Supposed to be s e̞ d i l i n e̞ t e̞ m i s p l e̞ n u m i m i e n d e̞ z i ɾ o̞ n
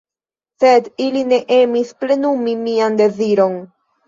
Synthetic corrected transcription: s e̞ d i l i n e̞ ʔ e̞ m i s p l e̞ n u m i m i a n d e̞ z i ɾ o̞ n